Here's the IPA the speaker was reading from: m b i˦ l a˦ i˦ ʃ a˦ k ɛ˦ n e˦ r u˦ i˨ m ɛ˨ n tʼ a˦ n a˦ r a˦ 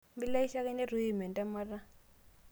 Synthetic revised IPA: m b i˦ l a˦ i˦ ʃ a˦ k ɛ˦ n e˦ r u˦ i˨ m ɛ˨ n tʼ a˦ m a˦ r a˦